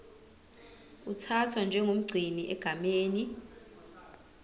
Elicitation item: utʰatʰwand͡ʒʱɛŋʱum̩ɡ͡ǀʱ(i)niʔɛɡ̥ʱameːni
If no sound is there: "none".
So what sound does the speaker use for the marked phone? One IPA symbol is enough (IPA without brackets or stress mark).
i